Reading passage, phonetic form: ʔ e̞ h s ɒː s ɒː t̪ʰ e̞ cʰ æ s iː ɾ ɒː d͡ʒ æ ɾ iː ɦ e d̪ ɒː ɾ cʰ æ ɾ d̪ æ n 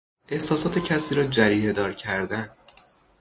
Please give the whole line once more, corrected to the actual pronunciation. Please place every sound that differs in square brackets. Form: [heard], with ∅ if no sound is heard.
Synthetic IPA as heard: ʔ e̞ h s ɒː s ɒː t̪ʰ e̞ cʰ æ s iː ɾ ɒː d͡ʒ æ ɾ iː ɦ e d̪ ɒː ɾ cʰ æ ɾ d̪ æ n